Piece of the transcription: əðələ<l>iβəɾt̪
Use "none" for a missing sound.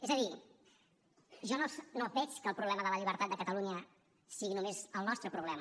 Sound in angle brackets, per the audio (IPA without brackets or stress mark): ʎ